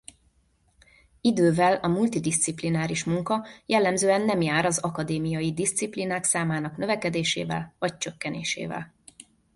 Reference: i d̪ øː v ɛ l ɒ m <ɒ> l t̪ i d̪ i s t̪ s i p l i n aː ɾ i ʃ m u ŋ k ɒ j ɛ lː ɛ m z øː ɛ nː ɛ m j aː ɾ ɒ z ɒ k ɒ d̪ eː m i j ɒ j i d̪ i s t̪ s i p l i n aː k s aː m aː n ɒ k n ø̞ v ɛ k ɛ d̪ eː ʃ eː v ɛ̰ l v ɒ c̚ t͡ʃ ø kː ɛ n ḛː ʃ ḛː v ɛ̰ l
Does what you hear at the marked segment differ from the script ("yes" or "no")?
yes